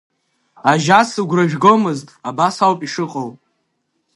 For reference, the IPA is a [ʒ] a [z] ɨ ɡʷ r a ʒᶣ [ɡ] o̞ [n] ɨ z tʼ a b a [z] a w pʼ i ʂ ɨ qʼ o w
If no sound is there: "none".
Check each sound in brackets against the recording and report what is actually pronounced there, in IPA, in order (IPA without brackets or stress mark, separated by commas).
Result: ʒ, s, ɡ, m, s